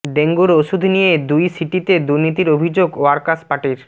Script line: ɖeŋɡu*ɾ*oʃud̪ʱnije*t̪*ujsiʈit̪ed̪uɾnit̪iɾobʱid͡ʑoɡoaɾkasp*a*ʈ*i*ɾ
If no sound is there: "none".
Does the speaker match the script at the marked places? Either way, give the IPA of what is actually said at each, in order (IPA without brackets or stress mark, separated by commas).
ɾ, d̪, a, i